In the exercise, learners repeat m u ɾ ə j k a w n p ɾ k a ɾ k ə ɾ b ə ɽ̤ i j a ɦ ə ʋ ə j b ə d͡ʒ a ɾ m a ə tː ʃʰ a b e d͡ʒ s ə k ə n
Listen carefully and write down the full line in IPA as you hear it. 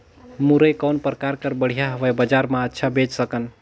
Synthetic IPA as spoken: m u ɾ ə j k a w n p ɾ k a ɾ k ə ɾ b ə ɽ̤ i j a ɦ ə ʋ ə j b ə d͡ʒ a ɾ m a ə tː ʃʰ a b e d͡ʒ s ə k ə n

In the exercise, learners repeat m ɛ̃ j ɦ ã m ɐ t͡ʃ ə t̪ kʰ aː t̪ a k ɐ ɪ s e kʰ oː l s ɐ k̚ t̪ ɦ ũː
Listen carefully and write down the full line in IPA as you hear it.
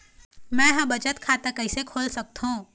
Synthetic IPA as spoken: m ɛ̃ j ɦ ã b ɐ t͡ʃ ə t̪ kʰ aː t̪ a k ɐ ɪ s e kʰ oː l s ɐ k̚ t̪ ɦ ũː

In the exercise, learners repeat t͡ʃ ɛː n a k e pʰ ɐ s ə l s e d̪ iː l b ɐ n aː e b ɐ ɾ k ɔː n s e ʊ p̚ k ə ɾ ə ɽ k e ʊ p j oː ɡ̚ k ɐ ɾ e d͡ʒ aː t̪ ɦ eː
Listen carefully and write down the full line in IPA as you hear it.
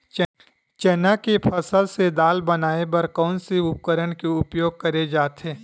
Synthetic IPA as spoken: t͡ʃ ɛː n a k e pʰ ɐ s ə l s e d̪ aː l b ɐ n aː e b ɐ ɾ k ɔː n s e ʊ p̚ k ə ɾ ə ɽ k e ʊ p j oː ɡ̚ k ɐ ɾ e d͡ʒ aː t̪ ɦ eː

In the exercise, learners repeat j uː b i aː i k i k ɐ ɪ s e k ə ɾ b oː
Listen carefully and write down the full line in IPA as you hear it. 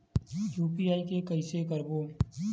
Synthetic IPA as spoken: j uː p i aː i k e k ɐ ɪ s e k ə ɾ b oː

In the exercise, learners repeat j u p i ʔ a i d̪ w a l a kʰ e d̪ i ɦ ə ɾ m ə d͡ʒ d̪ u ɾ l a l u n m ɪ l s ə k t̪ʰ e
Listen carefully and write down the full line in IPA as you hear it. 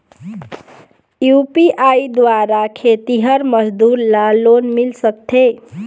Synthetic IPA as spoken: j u p i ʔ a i d̪ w a ɾ a kʰ e t̪ i ɦ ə ɾ m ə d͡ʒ d̪ u ɾ l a l o n m i l s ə k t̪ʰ e

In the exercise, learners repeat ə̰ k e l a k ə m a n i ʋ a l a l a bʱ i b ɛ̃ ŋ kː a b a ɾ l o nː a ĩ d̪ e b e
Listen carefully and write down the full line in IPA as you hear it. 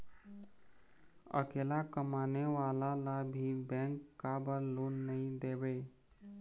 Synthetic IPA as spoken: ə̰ k e l a k ə m a n e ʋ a l a l a bʱ i b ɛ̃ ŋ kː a b ə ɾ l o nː ə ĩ d̪ e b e

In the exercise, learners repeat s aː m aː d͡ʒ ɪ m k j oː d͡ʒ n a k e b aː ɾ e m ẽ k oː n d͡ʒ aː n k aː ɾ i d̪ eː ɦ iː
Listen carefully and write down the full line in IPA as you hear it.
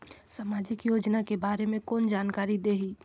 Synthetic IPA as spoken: s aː m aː d͡ʒ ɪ k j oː d͡ʒ n a k e b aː ɾ e m ẽ k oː n d͡ʒ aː n k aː ɾ i d̪ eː ɦ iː

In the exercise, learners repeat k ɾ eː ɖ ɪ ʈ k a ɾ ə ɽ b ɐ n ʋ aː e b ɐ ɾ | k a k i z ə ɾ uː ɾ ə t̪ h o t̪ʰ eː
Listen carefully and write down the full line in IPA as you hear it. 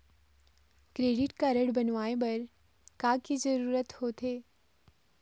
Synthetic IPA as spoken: k ɾ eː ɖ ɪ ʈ k a ɾ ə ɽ b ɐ n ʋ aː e b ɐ ɾ | k a k i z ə ɾ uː ɾ ə t̪ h o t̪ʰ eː

